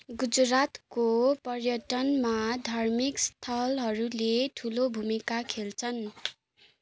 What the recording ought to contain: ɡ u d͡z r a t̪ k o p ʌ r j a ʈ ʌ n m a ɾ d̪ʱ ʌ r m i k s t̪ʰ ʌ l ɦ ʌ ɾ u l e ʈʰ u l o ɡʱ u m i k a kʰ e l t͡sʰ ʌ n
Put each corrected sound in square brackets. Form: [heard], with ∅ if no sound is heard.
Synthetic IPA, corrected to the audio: ɡ u d͡z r a t̪ k o p ʌ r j [ʌ] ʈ ʌ n m a [∅] d̪ʱ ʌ r m i k s t̪ʰ ʌ l ɦ ʌ ɾ u l e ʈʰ u l o [bʱ] u m i k a kʰ e l t͡sʰ ʌ n